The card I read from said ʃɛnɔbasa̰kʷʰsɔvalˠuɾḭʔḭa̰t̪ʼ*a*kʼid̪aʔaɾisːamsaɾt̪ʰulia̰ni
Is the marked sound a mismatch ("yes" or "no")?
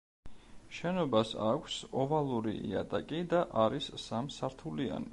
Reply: no